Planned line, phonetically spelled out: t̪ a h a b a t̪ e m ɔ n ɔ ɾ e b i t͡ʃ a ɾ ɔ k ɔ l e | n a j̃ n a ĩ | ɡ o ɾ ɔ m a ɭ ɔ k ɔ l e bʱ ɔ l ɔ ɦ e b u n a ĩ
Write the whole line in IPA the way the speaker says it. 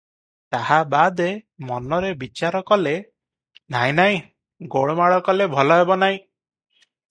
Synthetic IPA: t̪ a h a b a d̪ e m ɔ n ɔ ɾ e b i t͡ʃ a ɾ ɔ k ɔ l e | n a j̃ n a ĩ | ɡ o ɭ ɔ m a ɭ ɔ k ɔ l e bʱ ɔ l ɔ ɦ e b ɔ n a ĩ